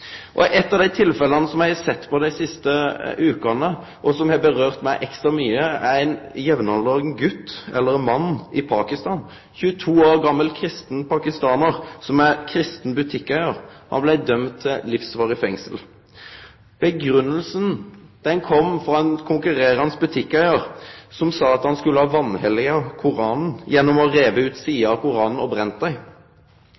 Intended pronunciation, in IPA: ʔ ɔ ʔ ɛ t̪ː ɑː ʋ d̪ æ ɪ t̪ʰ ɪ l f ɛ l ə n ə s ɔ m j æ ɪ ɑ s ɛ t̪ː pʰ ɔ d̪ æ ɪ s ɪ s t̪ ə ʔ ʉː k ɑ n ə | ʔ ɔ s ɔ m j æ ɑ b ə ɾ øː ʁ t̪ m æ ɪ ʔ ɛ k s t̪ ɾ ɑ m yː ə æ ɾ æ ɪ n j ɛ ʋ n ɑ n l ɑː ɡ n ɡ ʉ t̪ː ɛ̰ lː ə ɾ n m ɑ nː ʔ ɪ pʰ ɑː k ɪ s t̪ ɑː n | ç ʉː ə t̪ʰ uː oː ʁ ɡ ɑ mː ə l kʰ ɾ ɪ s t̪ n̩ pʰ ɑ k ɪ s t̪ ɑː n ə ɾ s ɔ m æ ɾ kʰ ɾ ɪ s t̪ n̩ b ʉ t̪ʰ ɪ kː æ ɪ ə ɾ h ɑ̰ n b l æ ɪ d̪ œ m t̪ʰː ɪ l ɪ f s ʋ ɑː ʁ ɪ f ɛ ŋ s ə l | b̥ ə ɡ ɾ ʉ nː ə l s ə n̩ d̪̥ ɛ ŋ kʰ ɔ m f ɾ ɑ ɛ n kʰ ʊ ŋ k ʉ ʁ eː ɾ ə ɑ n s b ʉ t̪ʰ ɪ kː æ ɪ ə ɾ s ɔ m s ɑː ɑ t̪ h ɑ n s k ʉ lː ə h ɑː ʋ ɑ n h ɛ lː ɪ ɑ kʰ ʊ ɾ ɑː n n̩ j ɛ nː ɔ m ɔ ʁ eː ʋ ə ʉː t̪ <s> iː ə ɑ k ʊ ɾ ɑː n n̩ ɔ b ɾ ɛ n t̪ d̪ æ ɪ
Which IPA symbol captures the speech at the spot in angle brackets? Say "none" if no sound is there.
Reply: s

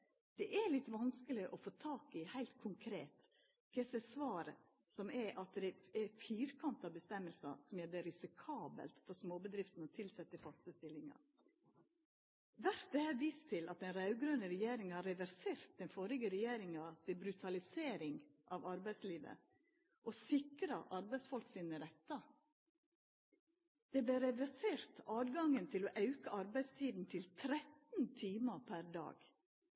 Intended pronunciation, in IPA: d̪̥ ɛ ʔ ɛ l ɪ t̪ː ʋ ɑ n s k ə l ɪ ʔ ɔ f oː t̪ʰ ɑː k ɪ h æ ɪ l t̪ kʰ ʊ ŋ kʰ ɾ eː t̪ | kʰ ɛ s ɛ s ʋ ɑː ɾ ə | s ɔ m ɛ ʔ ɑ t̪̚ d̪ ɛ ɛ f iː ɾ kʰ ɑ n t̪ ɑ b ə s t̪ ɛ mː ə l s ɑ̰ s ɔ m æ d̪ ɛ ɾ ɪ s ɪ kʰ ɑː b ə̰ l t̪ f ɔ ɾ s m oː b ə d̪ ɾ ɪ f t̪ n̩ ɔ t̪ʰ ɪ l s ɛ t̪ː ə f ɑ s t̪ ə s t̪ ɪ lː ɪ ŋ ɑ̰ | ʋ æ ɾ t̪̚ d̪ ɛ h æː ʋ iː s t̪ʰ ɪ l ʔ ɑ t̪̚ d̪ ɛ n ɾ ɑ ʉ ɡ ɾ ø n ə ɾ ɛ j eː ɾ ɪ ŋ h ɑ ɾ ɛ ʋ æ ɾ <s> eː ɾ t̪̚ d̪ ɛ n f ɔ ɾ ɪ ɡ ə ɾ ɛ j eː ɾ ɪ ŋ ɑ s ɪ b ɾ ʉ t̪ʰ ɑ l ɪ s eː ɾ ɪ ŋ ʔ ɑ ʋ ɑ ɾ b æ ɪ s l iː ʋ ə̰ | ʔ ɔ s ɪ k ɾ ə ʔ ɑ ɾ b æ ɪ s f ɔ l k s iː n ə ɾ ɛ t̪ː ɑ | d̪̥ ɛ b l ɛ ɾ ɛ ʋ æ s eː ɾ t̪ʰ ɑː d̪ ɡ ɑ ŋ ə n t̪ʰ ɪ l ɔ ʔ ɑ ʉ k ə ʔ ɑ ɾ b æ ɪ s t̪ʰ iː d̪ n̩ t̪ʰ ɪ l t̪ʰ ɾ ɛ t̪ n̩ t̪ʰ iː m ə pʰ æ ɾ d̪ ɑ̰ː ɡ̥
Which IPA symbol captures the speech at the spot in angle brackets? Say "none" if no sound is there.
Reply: s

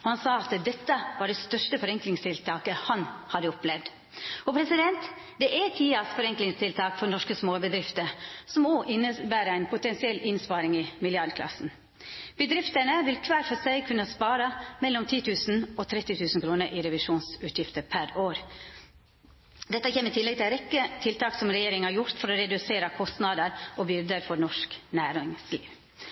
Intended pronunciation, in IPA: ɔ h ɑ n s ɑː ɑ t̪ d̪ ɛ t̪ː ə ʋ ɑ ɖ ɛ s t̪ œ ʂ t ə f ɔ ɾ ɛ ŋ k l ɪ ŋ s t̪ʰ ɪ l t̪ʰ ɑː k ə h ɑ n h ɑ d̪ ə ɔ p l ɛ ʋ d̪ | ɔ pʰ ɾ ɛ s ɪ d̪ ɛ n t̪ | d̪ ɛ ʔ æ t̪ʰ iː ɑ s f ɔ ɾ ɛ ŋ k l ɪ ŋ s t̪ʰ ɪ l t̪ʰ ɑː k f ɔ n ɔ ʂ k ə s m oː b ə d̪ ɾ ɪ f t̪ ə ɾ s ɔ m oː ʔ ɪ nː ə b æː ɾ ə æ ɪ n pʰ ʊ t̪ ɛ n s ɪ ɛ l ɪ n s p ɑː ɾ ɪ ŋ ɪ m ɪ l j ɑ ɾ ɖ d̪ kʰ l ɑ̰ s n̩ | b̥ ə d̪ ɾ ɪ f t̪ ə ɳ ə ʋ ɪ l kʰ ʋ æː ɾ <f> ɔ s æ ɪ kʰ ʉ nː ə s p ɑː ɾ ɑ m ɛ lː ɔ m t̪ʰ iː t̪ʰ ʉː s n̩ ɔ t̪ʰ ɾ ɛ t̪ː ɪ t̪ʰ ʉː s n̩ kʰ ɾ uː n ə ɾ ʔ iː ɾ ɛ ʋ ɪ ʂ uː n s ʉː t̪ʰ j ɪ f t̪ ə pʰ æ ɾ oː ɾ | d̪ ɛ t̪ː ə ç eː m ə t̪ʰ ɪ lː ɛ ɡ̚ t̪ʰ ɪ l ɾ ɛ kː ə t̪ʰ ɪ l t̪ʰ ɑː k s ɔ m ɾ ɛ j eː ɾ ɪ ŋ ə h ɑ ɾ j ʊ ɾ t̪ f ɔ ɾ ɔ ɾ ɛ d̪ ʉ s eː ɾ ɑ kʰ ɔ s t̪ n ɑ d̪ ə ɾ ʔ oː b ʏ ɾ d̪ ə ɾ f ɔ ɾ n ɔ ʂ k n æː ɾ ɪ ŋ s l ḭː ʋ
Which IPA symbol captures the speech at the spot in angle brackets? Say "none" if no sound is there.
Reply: f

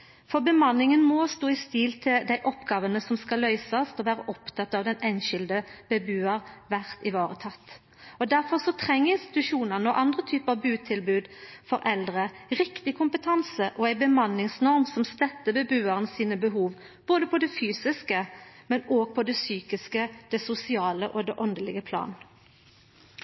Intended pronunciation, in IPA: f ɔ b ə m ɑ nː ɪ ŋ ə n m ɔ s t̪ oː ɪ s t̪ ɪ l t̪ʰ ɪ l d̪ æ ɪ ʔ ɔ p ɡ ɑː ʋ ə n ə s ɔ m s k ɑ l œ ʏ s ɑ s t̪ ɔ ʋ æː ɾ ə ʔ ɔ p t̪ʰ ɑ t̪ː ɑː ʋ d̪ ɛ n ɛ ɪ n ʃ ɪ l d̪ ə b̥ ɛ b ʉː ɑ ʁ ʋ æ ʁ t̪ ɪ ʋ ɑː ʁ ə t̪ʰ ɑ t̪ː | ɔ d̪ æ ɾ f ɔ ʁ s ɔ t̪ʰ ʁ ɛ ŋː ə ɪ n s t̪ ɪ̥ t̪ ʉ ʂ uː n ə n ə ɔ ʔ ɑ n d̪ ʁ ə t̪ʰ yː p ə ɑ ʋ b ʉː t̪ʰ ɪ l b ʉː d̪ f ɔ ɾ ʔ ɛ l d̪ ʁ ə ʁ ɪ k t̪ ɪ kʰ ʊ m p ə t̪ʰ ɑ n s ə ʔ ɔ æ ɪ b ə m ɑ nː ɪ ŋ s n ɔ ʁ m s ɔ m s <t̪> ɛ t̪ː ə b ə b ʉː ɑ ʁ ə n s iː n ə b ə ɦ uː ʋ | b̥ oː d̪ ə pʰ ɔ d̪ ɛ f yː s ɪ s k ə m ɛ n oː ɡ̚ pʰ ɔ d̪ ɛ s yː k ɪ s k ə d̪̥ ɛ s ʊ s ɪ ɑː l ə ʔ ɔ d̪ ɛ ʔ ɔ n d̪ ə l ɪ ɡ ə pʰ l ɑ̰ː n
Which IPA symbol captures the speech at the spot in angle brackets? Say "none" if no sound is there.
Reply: t̪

